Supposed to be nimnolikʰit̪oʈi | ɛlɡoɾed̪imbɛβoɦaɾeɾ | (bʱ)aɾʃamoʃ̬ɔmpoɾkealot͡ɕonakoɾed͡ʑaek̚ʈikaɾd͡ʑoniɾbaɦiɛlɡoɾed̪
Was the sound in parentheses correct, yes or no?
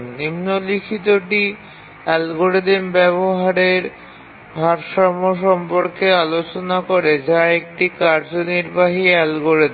yes